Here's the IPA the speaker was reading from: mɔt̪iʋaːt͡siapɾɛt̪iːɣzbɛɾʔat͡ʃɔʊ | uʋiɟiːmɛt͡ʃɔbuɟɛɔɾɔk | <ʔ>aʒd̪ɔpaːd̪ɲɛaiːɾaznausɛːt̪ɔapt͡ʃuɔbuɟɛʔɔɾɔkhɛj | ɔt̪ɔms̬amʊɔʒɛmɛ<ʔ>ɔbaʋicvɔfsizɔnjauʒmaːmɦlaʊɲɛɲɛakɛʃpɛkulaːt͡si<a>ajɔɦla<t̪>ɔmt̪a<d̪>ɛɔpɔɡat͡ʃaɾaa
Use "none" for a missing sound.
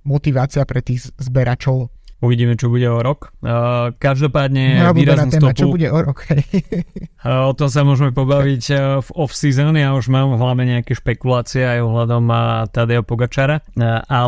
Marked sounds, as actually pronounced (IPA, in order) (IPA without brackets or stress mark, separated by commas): k, p, ɛ, d̪, d̪